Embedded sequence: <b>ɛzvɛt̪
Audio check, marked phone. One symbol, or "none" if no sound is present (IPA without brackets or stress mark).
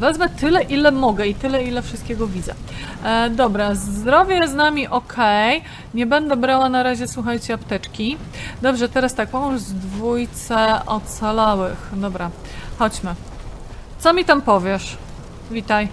v